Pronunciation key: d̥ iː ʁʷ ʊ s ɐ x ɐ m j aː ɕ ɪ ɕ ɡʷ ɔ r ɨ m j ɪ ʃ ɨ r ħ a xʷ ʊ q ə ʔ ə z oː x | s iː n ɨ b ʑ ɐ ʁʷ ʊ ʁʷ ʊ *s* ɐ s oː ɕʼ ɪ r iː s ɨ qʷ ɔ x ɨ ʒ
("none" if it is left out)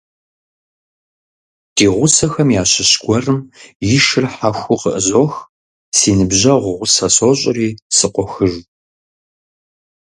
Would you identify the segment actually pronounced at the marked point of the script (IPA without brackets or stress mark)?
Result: s